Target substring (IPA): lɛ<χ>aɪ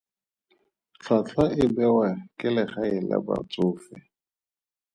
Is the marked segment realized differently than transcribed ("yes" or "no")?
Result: no